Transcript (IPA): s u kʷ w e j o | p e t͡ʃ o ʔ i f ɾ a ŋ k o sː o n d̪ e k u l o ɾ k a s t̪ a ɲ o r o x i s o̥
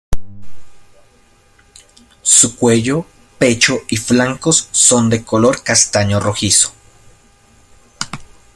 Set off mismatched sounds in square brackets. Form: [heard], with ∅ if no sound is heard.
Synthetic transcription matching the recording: s u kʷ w e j o | p e t͡ʃ o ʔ i f [l] a ŋ k o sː o n d̪ e k [o] l o ɾ k a s t̪ a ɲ o r o x i s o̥